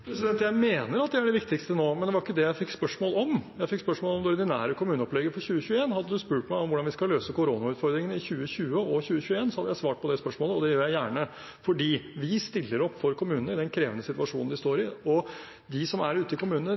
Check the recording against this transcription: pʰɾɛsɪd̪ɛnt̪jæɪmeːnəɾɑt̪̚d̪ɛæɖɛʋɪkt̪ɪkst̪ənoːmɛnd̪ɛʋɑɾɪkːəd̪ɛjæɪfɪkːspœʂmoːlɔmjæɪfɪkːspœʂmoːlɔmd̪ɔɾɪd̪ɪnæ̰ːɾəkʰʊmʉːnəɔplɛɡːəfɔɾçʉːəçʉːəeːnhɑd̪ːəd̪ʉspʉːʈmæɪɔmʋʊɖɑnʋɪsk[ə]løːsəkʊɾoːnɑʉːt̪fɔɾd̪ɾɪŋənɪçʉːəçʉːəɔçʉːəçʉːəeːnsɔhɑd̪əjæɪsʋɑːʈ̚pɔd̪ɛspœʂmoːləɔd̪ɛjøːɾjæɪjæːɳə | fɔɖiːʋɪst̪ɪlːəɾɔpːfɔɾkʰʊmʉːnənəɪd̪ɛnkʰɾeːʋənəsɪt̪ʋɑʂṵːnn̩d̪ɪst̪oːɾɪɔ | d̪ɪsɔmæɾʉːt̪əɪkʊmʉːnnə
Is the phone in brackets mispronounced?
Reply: yes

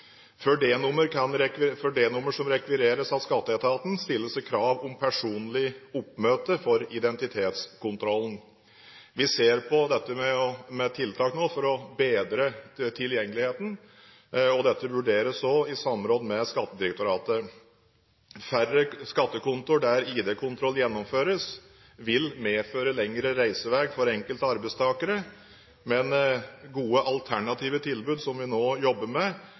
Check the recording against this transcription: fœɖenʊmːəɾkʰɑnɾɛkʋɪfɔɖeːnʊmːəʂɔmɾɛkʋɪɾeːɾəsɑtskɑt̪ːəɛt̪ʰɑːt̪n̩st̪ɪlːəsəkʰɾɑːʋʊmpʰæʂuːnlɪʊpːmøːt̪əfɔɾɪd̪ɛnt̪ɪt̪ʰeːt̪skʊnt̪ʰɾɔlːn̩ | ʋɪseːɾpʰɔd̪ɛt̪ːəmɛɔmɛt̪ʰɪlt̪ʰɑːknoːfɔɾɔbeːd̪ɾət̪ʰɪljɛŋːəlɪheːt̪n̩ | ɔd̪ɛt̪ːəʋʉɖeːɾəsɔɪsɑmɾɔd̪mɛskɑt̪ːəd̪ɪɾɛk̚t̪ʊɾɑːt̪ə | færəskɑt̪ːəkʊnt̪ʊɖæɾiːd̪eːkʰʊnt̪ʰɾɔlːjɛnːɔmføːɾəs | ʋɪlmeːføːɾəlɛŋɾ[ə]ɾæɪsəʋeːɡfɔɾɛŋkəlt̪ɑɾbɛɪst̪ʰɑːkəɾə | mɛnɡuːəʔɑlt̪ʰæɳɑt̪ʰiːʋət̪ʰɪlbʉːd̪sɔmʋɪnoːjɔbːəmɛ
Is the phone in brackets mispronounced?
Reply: no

